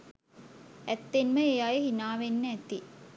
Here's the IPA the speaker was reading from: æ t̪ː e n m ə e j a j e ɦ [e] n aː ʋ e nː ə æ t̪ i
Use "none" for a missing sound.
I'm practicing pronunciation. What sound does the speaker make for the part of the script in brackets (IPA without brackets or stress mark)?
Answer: i